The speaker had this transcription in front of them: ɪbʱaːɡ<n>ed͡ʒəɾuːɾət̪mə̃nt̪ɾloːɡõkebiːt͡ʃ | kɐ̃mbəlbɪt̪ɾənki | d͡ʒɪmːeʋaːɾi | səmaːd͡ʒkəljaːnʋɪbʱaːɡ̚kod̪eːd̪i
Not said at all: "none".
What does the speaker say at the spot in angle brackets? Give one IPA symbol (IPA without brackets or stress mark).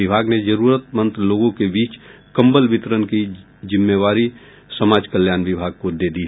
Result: n